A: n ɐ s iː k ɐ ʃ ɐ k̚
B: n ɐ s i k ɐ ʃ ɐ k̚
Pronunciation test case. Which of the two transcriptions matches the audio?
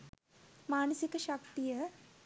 B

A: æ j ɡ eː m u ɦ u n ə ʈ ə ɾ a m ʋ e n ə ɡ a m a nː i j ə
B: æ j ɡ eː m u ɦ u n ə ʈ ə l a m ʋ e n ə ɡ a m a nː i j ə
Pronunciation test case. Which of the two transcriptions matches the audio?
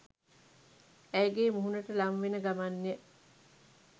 B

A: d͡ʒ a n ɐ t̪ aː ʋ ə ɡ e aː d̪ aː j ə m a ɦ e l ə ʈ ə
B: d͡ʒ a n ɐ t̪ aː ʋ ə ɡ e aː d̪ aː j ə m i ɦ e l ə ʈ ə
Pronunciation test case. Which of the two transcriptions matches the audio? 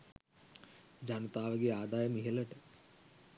B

